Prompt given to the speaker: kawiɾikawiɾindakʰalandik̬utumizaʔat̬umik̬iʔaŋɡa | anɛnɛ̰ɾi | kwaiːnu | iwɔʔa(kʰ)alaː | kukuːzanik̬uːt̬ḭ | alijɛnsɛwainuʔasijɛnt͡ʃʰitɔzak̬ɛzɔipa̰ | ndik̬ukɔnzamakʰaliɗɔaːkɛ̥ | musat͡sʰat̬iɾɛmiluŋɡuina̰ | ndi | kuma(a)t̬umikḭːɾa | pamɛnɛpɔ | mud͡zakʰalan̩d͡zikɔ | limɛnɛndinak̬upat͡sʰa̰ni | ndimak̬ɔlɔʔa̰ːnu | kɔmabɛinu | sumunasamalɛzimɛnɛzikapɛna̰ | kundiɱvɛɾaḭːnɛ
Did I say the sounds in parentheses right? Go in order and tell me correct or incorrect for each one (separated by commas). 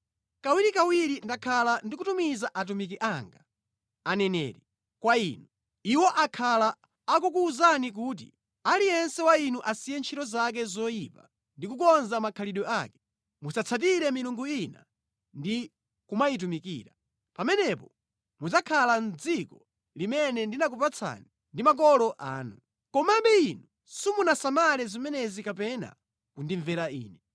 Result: correct, incorrect